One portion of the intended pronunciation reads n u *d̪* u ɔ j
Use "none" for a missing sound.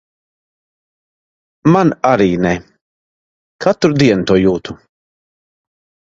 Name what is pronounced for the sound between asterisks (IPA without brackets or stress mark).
t̪